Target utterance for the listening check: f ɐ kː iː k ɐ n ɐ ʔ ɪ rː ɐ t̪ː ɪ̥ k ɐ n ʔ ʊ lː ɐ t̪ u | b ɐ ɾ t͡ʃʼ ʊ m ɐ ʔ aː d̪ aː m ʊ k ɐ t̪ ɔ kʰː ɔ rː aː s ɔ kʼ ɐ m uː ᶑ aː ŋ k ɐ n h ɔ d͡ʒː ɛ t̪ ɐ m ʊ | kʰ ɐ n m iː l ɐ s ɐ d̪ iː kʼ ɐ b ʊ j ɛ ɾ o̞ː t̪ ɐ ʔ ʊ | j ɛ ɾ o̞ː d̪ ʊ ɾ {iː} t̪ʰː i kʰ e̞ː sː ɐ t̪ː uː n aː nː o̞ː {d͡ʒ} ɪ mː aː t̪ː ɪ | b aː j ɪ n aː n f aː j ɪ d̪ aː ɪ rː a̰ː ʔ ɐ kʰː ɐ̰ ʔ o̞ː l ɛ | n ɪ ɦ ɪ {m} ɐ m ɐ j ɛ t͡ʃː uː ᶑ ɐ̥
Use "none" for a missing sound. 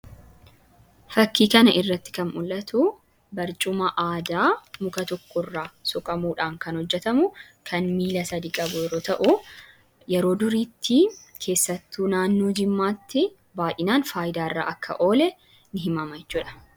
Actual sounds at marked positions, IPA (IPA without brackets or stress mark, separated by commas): iː, d͡ʒ, m